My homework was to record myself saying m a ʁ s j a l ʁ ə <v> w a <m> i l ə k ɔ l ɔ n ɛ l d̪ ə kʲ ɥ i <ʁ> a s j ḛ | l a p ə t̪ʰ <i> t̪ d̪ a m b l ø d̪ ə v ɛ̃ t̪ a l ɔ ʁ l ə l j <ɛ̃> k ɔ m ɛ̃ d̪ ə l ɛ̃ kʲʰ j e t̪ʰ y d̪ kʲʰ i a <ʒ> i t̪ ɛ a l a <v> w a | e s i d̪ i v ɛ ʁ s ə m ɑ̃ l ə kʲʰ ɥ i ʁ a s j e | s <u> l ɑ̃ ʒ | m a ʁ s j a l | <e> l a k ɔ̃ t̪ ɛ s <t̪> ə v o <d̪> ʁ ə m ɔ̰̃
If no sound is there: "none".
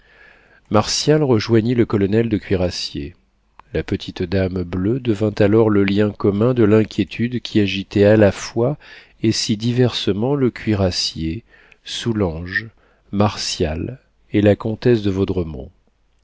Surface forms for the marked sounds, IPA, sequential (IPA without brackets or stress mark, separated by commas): ʒ, ɲ, ʁ, i, ɛ̃, ʒ, f, u, e, d̪, d̪